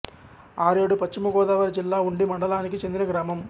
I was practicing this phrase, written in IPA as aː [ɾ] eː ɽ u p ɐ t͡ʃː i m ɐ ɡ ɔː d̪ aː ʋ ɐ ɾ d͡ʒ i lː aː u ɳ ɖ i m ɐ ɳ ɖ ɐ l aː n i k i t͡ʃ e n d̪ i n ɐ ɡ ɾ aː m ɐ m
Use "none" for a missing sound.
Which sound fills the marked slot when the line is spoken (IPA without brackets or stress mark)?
ɾ